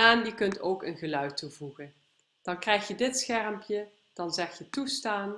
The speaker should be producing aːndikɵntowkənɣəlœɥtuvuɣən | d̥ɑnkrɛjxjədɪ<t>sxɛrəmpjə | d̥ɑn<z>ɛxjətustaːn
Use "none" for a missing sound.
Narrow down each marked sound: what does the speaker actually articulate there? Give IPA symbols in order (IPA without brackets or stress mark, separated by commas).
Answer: t, z